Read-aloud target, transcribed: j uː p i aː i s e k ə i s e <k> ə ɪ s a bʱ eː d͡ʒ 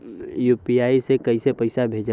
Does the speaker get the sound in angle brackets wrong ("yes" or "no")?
yes